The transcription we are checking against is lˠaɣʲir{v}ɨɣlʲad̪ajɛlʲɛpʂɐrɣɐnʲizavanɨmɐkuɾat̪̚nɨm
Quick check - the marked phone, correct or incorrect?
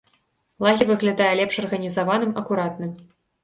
correct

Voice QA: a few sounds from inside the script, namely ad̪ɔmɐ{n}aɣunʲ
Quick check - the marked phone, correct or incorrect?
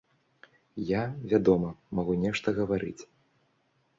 incorrect: m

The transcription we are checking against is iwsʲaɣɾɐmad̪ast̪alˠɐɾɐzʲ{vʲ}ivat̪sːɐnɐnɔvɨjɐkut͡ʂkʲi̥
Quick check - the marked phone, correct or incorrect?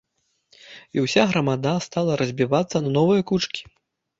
incorrect: bʲ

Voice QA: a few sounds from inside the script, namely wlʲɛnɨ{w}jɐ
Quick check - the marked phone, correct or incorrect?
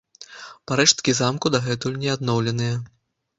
incorrect: none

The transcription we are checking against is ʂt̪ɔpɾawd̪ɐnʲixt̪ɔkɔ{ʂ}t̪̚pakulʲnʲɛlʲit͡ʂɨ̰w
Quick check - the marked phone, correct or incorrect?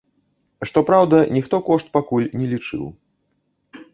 correct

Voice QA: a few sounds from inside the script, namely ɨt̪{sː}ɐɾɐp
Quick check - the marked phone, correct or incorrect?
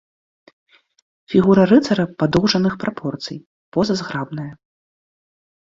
incorrect: s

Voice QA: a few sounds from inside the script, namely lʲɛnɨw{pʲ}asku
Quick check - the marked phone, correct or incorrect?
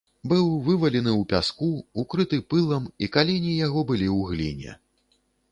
correct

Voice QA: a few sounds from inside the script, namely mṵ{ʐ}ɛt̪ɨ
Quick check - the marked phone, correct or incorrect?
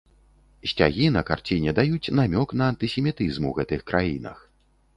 incorrect: ɣ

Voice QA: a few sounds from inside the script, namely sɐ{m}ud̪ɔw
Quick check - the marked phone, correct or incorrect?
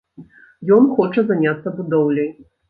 incorrect: b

